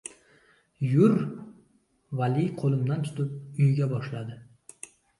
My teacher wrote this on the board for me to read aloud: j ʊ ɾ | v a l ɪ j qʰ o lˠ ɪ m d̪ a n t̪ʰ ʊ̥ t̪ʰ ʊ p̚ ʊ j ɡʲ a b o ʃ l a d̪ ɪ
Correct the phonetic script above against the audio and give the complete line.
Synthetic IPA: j ʊ ɾ | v a l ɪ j qʰ o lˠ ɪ m d̪ a n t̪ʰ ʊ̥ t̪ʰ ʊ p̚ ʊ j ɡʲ a b ɒ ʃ l a d̪ ɪ